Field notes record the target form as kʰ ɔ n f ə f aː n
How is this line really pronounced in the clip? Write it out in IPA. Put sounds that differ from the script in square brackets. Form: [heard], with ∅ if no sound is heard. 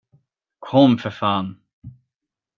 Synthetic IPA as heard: kʰ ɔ [m] f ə f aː n